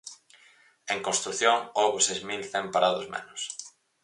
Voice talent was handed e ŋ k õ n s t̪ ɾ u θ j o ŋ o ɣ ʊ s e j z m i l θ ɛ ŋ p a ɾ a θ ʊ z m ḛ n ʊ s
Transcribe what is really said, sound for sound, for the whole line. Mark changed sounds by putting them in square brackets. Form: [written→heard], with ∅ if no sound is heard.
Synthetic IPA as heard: e ŋ k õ n s t̪ ɾ u θ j o ŋ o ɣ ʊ s e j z m i l θ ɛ [ŋ→m] p a ɾ a [θ→ð] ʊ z m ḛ n ʊ s